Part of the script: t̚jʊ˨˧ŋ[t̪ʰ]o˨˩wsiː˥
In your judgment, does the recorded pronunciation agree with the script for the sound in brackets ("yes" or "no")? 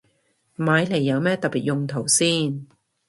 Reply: yes